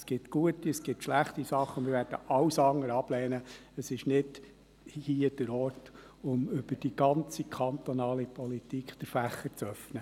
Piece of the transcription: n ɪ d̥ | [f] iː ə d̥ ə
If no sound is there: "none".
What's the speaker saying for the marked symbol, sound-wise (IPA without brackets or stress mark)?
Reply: h